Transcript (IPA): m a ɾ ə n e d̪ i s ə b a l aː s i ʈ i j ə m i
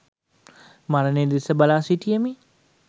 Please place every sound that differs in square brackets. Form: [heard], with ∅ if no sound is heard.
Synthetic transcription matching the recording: m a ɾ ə n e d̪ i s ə b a l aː s i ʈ i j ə m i